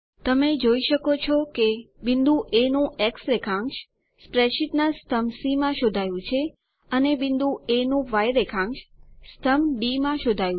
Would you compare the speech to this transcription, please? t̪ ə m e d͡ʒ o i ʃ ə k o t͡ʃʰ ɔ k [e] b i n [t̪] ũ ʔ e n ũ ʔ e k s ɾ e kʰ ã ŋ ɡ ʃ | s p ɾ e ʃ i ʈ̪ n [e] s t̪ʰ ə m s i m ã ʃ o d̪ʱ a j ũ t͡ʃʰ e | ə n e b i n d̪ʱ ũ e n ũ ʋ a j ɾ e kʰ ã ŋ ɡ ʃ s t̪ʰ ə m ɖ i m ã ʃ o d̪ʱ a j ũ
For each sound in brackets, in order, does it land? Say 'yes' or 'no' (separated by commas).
yes, no, no